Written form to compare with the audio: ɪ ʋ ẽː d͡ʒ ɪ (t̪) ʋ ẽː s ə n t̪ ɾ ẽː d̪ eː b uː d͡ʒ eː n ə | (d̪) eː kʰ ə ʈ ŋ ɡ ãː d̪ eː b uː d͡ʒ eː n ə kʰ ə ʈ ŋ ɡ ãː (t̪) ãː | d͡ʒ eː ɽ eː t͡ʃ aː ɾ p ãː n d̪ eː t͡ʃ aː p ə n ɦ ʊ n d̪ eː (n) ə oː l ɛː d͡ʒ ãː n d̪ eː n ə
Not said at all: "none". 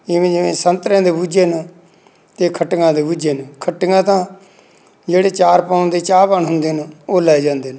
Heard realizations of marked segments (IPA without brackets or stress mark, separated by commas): none, t̪, t̪, n